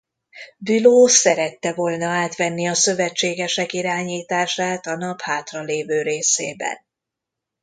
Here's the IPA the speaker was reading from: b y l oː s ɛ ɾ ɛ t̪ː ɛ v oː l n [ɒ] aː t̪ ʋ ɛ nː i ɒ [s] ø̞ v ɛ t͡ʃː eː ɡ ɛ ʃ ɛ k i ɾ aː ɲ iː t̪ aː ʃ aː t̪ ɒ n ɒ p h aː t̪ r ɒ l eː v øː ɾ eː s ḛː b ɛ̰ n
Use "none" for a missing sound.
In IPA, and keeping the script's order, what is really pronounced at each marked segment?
ɒ, s

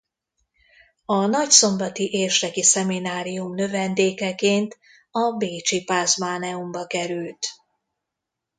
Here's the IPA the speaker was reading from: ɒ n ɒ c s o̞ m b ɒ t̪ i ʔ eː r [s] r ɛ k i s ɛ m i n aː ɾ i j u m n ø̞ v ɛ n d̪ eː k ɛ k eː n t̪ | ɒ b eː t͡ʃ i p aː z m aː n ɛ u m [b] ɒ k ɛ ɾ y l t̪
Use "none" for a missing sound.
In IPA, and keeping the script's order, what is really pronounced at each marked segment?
ʃ, b

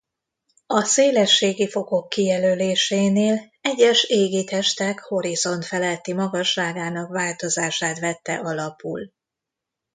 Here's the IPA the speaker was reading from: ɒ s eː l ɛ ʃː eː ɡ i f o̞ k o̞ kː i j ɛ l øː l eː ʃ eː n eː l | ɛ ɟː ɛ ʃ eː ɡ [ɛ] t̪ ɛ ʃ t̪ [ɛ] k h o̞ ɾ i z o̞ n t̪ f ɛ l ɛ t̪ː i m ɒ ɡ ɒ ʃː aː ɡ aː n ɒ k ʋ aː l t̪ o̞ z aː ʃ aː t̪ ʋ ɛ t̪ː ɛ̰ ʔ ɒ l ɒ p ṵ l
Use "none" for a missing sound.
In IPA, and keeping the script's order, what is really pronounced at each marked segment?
i, ɛ

